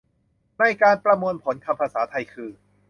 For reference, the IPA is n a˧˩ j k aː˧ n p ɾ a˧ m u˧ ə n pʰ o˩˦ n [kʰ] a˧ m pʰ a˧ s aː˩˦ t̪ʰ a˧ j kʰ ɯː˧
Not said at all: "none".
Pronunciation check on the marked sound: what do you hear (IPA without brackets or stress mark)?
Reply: kʰ